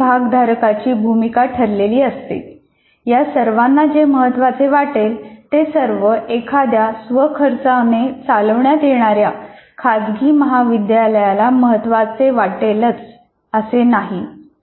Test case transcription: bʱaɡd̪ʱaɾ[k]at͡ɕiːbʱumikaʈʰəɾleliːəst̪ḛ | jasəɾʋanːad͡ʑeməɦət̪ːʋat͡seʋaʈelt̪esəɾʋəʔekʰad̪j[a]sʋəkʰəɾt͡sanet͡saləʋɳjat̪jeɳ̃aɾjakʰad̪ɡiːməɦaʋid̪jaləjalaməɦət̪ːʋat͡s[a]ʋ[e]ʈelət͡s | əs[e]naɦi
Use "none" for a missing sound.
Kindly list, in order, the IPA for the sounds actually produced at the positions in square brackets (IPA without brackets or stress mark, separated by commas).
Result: k, a, e, a, e